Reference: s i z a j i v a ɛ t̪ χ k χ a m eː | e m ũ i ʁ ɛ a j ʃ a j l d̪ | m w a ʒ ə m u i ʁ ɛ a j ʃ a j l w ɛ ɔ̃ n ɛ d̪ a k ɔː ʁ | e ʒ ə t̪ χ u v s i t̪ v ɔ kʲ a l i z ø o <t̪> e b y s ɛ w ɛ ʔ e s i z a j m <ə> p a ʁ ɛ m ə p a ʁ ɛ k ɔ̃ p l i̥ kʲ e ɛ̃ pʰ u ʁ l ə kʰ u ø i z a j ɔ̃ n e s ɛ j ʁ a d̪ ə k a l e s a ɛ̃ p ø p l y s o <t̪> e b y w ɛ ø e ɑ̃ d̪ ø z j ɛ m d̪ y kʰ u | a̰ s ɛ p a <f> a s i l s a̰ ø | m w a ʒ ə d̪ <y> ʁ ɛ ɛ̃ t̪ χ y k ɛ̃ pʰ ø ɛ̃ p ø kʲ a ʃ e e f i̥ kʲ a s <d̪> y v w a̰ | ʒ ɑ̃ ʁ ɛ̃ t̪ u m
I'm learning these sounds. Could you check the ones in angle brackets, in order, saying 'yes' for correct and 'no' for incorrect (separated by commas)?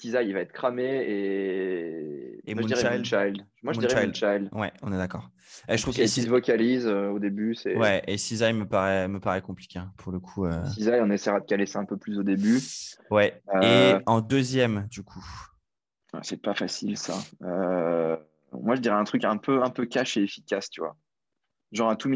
no, yes, no, yes, no, no